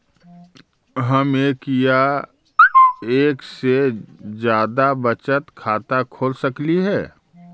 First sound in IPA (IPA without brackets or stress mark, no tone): ɦ